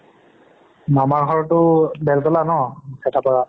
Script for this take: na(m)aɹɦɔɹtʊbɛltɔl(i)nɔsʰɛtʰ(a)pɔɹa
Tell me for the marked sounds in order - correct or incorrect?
correct, incorrect: a, correct

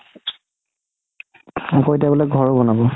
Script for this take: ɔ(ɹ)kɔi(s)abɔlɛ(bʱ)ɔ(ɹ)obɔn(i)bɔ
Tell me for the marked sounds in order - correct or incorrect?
incorrect: none, incorrect: t, incorrect: ɡʱ, correct, incorrect: a

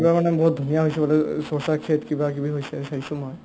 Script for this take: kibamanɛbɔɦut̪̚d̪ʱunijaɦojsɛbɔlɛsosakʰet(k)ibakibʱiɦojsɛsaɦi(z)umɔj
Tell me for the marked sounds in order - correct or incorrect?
correct, incorrect: s

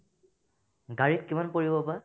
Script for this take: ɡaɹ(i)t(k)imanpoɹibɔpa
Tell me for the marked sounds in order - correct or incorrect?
correct, correct

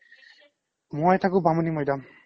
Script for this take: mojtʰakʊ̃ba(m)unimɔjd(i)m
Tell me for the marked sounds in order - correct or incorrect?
correct, incorrect: a

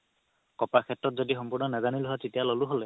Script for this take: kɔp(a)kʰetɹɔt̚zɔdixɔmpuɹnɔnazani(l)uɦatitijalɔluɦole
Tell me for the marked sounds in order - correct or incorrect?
correct, correct

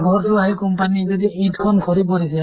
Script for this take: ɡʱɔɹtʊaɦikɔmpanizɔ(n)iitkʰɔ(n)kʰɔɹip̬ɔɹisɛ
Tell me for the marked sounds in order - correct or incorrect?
incorrect: d, correct

